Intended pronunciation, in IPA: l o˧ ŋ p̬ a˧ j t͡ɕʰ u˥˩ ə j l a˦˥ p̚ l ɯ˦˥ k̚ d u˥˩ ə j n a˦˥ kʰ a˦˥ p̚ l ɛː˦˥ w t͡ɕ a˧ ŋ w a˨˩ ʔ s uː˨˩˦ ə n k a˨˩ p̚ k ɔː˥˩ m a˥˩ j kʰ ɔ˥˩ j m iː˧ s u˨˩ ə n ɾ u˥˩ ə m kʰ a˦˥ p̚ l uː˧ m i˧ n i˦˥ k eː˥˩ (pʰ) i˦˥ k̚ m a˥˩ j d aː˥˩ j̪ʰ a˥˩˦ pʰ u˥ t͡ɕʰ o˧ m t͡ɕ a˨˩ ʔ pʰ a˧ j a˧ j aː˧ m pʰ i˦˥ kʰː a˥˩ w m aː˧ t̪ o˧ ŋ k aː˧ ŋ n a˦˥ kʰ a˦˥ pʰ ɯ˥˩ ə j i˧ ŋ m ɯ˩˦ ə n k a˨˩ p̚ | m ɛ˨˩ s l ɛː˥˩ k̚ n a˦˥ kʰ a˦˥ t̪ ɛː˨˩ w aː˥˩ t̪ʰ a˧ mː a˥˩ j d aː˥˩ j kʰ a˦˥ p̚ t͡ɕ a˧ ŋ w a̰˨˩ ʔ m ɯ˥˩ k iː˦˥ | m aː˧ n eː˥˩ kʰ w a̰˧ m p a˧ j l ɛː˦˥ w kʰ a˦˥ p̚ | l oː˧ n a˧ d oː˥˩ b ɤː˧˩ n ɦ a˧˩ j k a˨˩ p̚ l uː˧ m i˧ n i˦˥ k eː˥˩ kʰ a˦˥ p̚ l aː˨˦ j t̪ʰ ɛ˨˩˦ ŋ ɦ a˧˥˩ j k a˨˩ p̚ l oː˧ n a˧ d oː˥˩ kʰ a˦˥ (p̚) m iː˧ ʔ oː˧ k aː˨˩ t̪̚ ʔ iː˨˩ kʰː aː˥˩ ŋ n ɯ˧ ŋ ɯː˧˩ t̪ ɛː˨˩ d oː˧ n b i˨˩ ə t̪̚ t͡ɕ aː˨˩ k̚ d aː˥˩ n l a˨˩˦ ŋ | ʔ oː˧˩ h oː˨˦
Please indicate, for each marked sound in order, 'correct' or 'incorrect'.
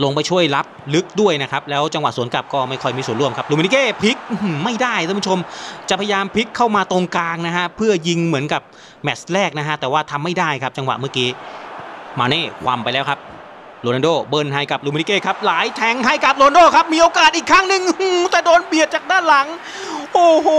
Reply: correct, correct

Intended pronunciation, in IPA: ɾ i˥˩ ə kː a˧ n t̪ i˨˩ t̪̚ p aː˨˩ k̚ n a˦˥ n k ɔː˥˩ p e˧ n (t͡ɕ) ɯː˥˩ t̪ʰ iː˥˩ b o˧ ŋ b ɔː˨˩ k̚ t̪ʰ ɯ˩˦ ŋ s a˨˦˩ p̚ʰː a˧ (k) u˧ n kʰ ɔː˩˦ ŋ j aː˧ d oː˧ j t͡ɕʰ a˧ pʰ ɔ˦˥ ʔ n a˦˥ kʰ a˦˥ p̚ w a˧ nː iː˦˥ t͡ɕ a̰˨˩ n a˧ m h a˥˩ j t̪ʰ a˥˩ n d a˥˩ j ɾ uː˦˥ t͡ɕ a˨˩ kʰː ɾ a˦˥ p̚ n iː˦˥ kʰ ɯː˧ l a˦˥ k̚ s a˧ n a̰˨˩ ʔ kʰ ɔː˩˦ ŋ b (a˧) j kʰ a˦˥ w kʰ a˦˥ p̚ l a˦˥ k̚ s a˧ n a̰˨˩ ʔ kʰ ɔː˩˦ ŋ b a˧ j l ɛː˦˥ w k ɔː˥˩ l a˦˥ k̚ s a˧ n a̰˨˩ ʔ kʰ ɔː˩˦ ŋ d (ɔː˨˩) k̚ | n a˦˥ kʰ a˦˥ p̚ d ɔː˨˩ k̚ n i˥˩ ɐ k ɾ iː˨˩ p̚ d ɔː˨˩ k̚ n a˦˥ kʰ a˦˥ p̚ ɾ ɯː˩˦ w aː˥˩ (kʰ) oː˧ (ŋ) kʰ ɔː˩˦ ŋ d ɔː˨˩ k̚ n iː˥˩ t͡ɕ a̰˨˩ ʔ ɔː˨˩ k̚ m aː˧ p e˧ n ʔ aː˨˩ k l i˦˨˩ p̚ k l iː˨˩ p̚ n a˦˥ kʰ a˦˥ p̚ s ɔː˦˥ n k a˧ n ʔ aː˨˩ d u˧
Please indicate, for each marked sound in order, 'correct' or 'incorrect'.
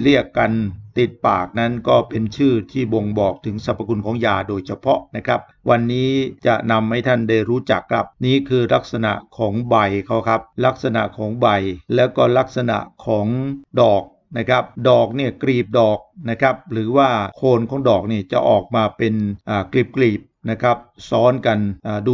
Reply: incorrect, correct, correct, correct, correct, incorrect

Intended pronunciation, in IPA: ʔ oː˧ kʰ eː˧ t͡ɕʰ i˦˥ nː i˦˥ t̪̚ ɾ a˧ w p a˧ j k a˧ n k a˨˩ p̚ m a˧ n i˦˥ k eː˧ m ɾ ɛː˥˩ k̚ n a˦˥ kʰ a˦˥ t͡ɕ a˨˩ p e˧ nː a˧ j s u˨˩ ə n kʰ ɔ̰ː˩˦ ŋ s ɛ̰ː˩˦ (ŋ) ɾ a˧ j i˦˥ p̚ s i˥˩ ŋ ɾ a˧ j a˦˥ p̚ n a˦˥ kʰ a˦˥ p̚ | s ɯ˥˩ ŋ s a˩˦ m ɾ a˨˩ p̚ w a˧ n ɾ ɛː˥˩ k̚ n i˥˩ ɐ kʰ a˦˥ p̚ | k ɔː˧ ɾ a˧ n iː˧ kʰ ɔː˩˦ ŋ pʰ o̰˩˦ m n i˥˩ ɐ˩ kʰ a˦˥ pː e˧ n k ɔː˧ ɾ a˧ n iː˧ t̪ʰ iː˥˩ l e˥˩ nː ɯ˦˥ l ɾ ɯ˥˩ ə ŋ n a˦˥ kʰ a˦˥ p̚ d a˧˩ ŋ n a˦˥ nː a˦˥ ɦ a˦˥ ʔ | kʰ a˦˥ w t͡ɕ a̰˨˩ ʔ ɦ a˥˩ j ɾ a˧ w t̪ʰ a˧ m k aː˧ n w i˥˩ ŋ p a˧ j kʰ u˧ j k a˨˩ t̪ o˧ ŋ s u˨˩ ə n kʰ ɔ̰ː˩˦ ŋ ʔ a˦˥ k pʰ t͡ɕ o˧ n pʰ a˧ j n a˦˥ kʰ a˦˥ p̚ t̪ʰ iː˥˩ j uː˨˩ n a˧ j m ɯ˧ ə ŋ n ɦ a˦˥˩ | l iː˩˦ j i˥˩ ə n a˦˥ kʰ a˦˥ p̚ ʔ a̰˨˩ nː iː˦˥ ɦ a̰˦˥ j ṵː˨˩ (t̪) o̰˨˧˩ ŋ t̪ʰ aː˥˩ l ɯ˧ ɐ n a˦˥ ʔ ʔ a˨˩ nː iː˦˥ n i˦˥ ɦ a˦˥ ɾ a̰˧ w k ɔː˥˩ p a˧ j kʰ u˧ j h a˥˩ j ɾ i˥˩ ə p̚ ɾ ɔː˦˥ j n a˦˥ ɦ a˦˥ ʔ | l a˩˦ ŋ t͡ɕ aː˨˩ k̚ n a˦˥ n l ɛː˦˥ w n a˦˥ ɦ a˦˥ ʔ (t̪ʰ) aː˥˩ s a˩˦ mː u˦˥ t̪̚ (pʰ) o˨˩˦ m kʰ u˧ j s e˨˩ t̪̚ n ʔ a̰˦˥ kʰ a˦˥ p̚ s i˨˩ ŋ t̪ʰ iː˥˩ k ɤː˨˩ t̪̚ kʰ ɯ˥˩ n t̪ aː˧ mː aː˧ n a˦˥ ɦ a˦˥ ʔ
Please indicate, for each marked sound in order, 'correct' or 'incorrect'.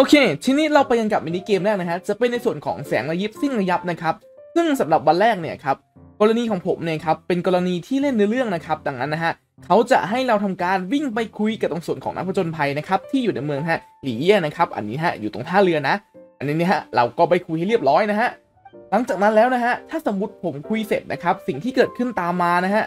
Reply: correct, correct, correct, correct

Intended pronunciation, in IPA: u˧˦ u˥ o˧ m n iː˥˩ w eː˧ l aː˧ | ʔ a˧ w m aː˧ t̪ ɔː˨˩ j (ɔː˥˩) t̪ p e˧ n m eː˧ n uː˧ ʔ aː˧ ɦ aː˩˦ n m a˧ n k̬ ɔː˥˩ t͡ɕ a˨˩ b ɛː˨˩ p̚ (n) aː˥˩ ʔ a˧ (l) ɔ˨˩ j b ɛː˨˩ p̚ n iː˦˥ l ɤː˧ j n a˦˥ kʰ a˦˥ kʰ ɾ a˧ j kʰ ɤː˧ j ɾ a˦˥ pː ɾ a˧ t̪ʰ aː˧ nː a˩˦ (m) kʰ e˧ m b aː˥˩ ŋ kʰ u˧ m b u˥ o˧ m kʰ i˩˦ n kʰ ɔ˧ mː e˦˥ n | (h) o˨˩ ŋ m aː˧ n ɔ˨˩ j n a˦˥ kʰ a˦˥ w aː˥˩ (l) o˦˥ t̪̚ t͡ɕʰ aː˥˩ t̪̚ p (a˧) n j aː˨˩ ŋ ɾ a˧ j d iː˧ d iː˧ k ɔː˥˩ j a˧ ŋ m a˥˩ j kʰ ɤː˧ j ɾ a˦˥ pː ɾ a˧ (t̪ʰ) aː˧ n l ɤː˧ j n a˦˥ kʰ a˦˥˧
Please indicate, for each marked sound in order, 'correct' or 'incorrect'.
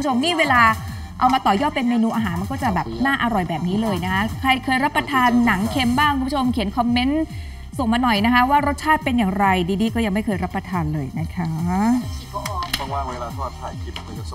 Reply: correct, correct, incorrect, incorrect, incorrect, incorrect, incorrect, correct

